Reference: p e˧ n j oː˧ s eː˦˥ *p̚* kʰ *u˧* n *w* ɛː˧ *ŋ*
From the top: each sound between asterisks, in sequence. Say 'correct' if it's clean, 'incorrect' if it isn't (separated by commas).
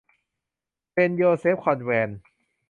correct, incorrect, correct, incorrect